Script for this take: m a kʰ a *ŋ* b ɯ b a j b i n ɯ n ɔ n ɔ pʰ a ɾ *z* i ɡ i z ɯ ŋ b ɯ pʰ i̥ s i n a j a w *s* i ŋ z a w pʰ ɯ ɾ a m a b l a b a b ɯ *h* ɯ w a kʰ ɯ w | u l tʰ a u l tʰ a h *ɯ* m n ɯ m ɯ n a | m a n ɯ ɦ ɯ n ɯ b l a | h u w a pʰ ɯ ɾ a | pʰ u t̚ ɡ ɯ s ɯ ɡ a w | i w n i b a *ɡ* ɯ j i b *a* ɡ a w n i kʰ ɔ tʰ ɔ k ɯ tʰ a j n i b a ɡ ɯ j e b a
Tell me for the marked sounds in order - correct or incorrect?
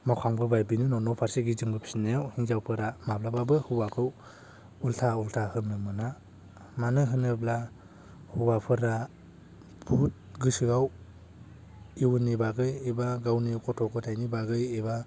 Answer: correct, incorrect: s, incorrect: h, correct, correct, correct, correct

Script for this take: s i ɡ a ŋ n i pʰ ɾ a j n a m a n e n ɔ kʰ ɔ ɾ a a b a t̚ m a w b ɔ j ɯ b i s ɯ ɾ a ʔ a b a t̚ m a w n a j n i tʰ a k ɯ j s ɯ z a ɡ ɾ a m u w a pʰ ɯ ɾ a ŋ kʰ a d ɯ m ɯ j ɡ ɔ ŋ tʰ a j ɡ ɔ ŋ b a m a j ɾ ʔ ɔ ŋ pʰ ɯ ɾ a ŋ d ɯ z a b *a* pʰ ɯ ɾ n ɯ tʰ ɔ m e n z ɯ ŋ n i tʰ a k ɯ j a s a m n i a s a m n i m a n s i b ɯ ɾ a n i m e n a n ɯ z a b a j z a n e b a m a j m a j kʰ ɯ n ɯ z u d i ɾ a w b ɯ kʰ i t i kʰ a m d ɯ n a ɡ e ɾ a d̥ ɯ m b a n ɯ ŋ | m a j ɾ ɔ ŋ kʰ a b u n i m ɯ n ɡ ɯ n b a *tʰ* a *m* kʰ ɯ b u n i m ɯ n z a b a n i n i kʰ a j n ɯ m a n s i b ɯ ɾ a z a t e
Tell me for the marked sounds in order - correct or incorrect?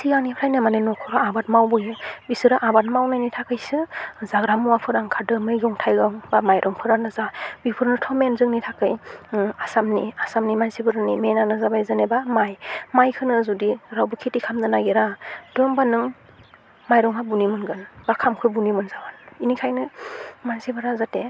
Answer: incorrect: i, incorrect: kʰ, correct

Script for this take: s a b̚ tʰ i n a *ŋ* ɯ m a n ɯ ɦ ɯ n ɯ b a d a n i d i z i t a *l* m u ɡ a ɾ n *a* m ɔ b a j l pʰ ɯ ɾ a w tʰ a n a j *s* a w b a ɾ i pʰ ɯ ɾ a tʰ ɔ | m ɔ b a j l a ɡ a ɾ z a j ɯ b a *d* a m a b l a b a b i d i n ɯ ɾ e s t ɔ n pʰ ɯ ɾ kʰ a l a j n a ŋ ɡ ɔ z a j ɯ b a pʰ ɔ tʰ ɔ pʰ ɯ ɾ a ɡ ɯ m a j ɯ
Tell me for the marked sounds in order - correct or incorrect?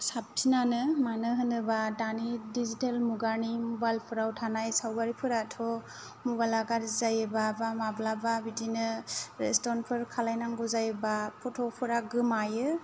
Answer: incorrect: n, correct, incorrect: i, correct, incorrect: b

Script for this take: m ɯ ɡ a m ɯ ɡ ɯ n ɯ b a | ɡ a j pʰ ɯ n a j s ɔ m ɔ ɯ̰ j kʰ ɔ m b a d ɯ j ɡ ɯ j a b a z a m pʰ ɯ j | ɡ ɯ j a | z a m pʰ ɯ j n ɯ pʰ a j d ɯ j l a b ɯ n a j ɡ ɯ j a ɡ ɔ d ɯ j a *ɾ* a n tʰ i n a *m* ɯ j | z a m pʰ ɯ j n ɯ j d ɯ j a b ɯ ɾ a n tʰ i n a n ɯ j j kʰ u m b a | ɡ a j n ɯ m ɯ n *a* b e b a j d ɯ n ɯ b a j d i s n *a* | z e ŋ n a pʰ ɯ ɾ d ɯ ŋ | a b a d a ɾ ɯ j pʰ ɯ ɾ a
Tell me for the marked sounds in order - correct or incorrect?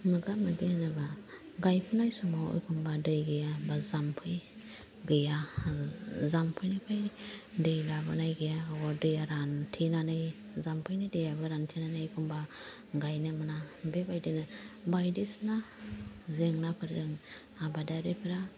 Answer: correct, incorrect: n, correct, correct

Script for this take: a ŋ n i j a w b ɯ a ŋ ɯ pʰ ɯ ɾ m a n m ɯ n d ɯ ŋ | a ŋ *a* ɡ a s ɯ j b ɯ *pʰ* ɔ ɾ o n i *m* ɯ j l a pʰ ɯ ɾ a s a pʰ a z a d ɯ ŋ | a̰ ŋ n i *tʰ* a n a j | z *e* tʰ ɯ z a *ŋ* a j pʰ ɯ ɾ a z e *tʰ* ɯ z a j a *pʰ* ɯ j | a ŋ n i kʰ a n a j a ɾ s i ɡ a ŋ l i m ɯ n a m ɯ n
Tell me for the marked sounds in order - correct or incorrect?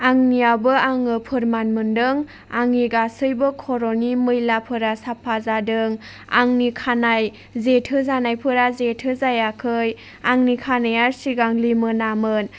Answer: incorrect: i, incorrect: kʰ, correct, incorrect: kʰ, correct, incorrect: n, correct, incorrect: kʰ

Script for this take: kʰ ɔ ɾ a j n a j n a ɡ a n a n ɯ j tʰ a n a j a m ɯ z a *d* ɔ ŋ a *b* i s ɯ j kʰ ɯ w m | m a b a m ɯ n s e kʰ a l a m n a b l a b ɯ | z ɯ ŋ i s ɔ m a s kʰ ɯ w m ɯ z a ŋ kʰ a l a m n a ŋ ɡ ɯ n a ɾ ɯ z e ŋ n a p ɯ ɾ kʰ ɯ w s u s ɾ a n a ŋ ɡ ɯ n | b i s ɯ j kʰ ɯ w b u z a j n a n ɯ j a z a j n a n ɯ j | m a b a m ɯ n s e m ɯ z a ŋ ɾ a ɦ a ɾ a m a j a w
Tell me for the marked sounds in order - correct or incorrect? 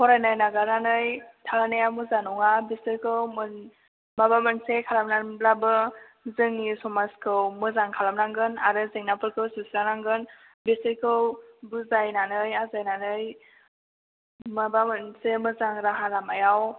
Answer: incorrect: n, correct

